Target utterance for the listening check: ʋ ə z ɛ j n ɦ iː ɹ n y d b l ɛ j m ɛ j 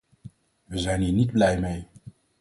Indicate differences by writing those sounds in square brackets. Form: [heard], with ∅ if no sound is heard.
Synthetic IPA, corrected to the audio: ʋ ə z ɛ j n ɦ iː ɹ n [i] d b l ɛ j m [e] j